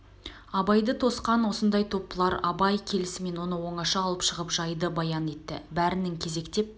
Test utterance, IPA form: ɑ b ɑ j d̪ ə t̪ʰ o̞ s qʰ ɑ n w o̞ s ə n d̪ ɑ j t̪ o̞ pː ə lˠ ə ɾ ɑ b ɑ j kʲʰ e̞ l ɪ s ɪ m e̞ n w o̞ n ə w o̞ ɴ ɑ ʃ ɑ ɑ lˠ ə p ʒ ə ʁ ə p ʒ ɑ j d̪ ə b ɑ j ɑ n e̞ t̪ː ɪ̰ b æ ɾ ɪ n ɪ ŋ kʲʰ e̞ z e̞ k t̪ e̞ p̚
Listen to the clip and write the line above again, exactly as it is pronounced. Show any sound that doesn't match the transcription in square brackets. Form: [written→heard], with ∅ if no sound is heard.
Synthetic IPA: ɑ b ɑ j d̪ ə t̪ʰ o̞ s [qʰ→q] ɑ n w o̞ s ə n d̪ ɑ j [t̪→t̪ʰ] o̞ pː ə lˠ [ə→ɑ] ɾ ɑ b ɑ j kʲʰ e̞ l ɪ s ɪ m e̞ n w o̞ n ə w o̞ ɴ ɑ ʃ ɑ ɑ lˠ ə p [ʒ→ʃ] ə ʁ ə p ʒ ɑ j d̪ ə b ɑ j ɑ n e̞ t̪ː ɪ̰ b æ ɾ ɪ n ɪ ŋ kʲʰ e̞ z e̞ k t̪ e̞ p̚